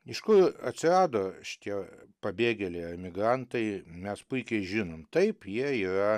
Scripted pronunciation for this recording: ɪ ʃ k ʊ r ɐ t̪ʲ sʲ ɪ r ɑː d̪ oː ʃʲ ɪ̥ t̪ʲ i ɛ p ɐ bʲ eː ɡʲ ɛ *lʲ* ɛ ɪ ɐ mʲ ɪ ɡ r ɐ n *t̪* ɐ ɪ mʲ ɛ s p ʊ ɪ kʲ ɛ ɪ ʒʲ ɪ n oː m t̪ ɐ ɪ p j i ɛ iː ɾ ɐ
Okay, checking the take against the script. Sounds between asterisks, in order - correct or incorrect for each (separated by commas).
correct, correct